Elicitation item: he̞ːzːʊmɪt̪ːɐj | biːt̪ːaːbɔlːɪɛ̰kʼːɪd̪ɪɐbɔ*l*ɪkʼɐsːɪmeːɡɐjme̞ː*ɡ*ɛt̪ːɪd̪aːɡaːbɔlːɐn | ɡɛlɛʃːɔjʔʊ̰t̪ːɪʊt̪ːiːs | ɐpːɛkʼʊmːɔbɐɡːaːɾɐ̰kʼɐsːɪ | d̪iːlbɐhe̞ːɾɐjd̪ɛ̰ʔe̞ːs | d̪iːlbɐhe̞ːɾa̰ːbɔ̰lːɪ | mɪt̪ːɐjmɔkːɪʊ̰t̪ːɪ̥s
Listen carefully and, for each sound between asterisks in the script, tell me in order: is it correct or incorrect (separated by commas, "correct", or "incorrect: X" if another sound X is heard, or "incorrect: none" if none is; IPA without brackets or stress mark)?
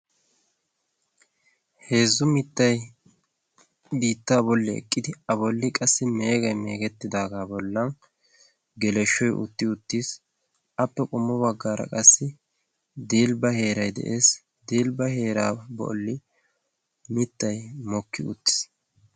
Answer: incorrect: lː, correct